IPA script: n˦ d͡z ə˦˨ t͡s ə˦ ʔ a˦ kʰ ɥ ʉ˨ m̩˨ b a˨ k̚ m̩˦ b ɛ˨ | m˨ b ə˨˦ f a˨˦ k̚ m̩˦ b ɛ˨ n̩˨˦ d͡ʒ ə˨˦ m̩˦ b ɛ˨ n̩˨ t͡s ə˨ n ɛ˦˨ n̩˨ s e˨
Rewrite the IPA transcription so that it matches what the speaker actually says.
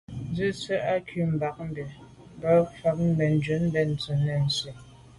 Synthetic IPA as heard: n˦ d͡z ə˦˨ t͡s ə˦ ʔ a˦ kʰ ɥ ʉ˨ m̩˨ b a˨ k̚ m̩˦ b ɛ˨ | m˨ b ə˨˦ f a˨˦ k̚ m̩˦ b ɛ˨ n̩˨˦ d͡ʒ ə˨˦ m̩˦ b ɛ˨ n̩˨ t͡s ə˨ n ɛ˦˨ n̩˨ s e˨